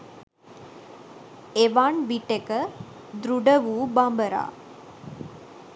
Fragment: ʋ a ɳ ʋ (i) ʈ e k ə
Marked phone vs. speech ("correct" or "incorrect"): correct